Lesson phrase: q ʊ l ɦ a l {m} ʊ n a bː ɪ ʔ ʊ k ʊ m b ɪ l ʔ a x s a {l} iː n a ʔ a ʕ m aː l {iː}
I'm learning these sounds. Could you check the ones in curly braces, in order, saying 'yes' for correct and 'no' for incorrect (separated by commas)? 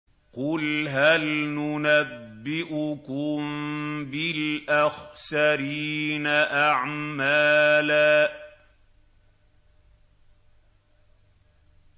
no, no, no